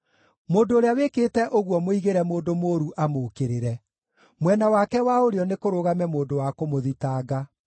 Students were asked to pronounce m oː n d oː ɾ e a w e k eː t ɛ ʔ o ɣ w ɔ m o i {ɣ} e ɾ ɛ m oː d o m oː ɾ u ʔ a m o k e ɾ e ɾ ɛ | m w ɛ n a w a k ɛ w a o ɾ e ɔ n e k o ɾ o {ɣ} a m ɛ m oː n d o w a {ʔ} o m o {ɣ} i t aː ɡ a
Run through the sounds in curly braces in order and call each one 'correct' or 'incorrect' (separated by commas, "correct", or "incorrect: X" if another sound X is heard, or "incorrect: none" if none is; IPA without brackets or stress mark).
correct, correct, incorrect: k, incorrect: ð